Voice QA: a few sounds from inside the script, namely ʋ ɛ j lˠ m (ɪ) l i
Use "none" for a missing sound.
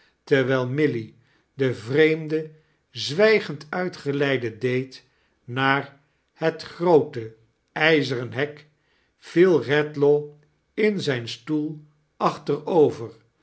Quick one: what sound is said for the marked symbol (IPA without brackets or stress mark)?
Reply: ɪ